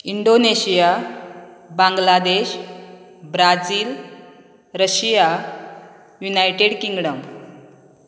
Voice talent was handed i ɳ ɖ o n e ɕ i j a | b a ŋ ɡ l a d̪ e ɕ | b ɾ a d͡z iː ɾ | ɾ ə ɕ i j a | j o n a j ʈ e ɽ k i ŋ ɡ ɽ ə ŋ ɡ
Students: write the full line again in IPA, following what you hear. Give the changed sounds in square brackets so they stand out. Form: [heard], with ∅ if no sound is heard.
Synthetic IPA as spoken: i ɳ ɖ o n e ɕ i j a | b a ŋ ɡ l a d̪ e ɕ | b ɾ a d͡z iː [l] | ɾ ə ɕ i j a | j [u] n a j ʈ e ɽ k i ŋ ɡ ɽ ə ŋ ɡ